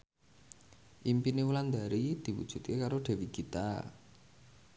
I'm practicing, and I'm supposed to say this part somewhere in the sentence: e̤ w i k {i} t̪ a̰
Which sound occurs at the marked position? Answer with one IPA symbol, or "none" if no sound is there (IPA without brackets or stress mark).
i